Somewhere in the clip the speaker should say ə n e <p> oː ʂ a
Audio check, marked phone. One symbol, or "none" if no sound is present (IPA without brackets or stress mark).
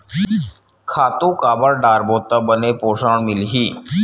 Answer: p